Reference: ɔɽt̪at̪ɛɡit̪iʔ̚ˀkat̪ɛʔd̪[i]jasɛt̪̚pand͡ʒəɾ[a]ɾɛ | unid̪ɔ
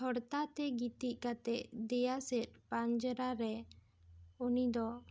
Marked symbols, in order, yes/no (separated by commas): no, yes